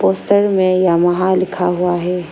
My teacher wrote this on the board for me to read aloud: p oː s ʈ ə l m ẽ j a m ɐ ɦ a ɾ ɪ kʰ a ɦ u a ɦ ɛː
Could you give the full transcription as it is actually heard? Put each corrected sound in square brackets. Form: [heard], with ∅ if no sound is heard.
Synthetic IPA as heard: p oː s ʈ ə [ɾ] m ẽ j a m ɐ ɦ a [l] ɪ kʰ a ɦ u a ɦ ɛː